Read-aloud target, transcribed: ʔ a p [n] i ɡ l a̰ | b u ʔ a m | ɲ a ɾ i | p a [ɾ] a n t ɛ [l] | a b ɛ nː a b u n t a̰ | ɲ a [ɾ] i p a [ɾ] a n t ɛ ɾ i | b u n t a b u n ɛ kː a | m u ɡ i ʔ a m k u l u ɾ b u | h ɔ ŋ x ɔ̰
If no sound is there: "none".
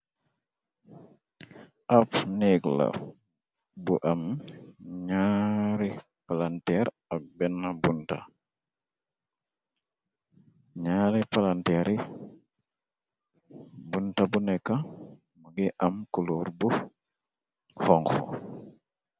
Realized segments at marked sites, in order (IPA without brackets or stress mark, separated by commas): n, l, ɾ, ɾ, l